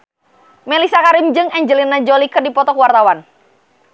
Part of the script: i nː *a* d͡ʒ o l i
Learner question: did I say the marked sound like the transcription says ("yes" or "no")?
yes